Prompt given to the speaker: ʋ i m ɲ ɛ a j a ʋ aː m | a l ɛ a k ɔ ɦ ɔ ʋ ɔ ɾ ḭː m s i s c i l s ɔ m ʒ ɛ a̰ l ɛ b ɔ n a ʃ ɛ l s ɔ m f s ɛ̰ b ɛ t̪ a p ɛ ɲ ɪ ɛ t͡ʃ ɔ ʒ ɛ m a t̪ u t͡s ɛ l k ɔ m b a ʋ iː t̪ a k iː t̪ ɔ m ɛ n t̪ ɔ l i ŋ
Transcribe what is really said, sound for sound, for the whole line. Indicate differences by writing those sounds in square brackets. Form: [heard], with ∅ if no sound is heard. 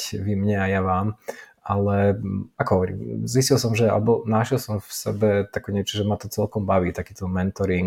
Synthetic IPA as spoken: ʋ i m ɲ ɛ a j a ʋ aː m | a l ɛ a k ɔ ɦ ɔ ʋ ɔ ɾ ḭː m [z] i s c i l s ɔ m ʒ ɛ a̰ l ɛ b ɔ n a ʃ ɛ l s ɔ m f s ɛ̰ b ɛ t̪ a [k] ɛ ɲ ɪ ɛ t͡ʃ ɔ ʒ ɛ m a t̪ [ɔ] t͡s ɛ l k ɔ m b a ʋ iː t̪ a k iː t̪ ɔ m ɛ n t̪ ɔ [ɾ] i ŋ